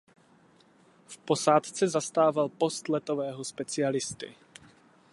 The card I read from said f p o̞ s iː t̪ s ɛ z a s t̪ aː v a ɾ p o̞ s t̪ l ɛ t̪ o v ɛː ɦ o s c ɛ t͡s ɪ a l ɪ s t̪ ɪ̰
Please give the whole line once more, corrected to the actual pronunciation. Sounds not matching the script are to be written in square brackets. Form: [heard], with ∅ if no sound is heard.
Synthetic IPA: f p o̞ s [aː] t̪ [t͡s] ɛ z a s t̪ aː v a [l] p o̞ s t̪ l ɛ t̪ o v ɛː ɦ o s [p] ɛ t͡s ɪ a l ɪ s t̪ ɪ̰